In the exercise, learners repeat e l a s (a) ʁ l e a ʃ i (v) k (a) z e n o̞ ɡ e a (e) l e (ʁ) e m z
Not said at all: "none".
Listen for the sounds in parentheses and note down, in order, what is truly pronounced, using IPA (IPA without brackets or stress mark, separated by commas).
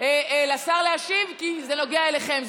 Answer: a, v, i, e, χ